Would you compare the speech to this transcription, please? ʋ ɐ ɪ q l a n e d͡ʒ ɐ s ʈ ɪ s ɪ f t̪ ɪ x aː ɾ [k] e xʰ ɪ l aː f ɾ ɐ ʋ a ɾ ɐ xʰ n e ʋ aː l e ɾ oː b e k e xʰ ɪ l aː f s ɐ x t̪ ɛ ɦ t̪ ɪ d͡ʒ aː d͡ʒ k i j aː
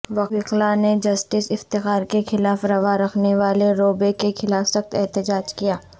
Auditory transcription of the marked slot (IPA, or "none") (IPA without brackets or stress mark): k